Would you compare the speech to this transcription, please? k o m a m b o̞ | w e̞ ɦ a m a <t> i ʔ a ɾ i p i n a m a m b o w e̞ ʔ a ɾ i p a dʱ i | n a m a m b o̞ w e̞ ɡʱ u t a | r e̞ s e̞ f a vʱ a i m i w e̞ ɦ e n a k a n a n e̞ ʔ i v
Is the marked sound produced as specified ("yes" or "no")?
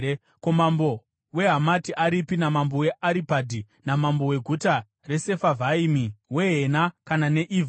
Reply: yes